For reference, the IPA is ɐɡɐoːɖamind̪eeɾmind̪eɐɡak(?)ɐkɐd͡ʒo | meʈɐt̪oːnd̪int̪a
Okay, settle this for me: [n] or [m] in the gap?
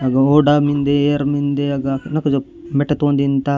n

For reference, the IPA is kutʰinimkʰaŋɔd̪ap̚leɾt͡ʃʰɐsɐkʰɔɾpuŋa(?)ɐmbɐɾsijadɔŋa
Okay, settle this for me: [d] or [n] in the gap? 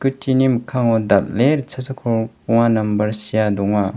n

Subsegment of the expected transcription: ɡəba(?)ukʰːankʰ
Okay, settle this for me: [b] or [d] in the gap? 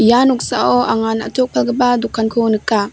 d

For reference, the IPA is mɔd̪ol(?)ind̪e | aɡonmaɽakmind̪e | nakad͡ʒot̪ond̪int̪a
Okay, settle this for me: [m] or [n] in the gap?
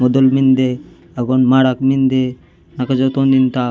m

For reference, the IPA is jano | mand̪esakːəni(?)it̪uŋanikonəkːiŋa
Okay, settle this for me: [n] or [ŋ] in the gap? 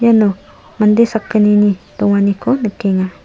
n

